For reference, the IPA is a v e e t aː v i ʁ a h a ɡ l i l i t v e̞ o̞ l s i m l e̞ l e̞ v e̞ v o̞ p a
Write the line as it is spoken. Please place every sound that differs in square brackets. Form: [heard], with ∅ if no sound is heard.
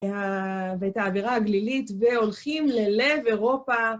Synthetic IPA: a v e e t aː v i ʁ a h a ɡ l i l i t v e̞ o̞ l [χ] i m l e̞ l e̞ v e̞ [ʁ] o̞ p a